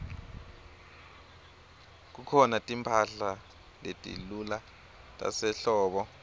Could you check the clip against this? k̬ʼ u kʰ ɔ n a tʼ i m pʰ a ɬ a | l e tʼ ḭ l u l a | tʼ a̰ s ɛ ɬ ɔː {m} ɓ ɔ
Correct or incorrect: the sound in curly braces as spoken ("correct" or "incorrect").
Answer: incorrect